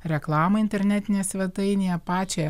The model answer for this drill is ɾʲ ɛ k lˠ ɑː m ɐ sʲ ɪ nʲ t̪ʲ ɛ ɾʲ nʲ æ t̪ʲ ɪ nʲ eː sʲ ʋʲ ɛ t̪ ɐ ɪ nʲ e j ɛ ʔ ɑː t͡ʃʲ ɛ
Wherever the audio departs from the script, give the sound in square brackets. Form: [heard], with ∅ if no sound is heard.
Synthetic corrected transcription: ɾʲ ɛ k lˠ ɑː m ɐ [∅] ɪ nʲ t̪ʲ ɛ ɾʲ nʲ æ t̪ʲ ɪ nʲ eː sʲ ʋʲ ɛ t̪ ɐ ɪ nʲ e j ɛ [p] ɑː t͡ʃʲ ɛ